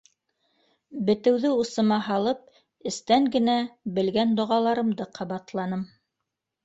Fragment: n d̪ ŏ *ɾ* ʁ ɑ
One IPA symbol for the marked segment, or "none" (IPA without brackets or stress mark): none